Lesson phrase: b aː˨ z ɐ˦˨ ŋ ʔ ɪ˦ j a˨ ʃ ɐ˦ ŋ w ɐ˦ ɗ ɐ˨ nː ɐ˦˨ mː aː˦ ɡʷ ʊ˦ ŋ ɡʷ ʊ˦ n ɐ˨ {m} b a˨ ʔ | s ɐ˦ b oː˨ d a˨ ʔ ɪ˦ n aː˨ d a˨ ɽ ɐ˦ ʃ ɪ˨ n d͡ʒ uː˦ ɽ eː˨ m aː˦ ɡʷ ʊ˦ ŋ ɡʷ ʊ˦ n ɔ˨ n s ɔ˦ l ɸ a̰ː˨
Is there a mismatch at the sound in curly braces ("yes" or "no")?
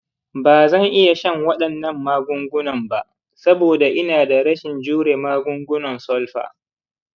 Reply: no